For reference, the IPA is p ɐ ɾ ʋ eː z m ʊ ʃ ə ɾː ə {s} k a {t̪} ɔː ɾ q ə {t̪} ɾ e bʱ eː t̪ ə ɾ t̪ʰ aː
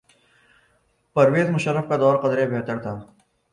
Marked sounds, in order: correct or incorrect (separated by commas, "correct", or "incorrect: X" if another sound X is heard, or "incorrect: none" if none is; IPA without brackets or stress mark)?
incorrect: f, incorrect: d̪, incorrect: d̪